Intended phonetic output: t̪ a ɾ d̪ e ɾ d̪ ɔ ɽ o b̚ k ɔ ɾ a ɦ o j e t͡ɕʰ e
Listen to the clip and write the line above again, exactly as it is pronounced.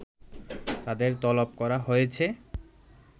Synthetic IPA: t̪ a d̪ e ɾ t̪ ɔ l o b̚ k ɔ ɾ a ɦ o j e t͡ɕʰ e